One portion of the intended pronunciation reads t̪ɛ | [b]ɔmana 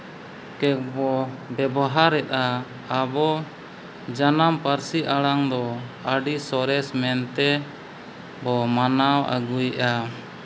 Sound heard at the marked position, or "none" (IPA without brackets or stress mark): b